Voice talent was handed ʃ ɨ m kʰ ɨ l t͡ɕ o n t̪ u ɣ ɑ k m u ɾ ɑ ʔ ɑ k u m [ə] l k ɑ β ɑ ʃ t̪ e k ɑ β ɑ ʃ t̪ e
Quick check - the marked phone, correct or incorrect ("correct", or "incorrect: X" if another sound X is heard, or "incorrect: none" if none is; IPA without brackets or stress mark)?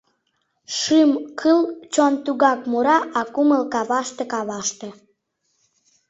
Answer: correct